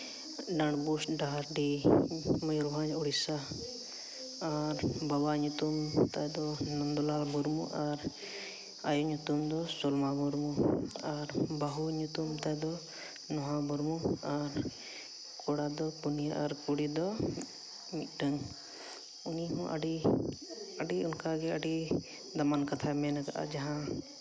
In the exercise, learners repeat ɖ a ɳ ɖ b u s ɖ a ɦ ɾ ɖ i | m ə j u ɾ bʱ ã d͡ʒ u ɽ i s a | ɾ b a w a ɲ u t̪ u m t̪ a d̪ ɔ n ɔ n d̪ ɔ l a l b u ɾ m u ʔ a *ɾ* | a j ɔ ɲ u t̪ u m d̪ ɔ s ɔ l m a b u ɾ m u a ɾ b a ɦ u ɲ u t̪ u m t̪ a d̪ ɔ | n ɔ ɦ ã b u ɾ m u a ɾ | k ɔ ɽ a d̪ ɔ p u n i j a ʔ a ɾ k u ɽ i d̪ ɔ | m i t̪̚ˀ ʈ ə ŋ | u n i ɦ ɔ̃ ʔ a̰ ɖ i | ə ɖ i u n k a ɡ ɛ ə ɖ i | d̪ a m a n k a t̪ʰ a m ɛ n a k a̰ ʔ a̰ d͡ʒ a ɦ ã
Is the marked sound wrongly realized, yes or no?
no